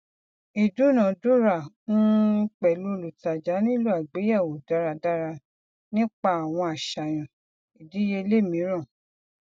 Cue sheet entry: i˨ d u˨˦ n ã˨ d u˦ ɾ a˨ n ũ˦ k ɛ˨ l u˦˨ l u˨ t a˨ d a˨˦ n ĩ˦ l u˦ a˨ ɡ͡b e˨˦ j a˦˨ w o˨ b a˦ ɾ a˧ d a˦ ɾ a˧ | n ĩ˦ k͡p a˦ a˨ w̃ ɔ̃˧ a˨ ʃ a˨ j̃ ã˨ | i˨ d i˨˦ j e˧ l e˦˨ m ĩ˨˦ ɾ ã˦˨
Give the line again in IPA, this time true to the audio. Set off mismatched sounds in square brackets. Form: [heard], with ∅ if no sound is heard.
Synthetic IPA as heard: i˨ d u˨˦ n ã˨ d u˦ ɾ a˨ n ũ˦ [k͡p] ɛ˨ l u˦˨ l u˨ t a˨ [d͡ʒ] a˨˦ n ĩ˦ l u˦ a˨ ɡ͡b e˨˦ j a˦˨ w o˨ [d] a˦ ɾ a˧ d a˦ ɾ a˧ | n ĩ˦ k͡p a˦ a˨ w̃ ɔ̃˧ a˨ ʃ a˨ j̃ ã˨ | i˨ d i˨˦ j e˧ l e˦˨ m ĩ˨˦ ɾ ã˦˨